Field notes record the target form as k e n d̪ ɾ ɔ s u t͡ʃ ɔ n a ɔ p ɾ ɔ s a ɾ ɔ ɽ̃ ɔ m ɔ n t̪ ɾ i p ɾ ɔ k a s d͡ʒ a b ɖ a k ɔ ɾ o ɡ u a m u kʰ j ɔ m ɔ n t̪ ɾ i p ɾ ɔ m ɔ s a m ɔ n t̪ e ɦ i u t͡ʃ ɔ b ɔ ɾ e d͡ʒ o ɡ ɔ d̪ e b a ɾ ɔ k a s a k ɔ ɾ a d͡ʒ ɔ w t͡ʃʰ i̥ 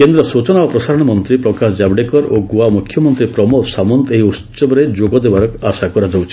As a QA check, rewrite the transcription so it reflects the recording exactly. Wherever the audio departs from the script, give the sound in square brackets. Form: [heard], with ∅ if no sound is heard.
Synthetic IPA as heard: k e n d̪ ɾ ɔ s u t͡ʃ ɔ n a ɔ p ɾ ɔ s a ɾ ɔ ɽ̃ ɔ m ɔ n t̪ ɾ i p ɾ ɔ k a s d͡ʒ a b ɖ [e] k ɔ ɾ o ɡ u a m u kʰ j ɔ m ɔ n t̪ ɾ i p ɾ ɔ m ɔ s a m ɔ n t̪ e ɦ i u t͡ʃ ɔ b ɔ ɾ e d͡ʒ o ɡ ɔ d̪ e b a ɾ ɔ k a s a k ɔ ɾ a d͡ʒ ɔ w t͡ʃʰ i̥